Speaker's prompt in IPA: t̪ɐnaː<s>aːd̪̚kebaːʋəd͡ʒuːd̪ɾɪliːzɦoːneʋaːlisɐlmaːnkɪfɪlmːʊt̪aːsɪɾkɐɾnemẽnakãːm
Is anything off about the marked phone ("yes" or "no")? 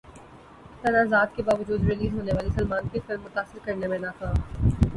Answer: yes